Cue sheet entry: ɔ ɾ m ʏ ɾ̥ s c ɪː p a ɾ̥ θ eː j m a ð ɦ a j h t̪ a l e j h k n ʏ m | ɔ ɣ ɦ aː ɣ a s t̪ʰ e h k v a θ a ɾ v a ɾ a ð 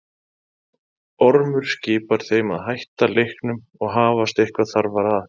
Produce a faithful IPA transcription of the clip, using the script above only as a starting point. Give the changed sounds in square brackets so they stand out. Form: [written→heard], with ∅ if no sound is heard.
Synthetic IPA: ɔ ɾ m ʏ ɾ̥ s c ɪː p a ɾ̥ θ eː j m a ð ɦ a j h t̪ a l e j h k n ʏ m | ɔ ɣ ɦ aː [ɣ→v] a s [t̪ʰ→t̪] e h k v a θ a ɾ v a ɾ a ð